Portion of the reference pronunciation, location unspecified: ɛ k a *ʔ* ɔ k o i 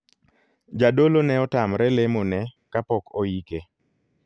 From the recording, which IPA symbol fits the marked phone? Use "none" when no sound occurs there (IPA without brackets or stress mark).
p